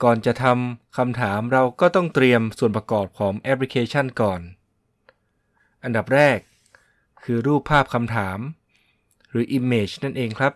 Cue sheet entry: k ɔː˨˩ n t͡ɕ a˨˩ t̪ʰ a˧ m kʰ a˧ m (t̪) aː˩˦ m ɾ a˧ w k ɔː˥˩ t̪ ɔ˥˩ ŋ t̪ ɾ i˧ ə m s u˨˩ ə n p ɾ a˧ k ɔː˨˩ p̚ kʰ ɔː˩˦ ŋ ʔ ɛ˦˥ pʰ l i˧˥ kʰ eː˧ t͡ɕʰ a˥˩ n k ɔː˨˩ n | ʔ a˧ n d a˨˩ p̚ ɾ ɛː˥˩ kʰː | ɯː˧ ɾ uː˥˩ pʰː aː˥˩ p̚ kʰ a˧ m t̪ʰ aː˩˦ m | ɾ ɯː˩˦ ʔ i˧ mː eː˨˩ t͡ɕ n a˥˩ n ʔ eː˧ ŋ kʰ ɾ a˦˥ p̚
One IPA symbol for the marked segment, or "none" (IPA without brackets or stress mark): t̪ʰ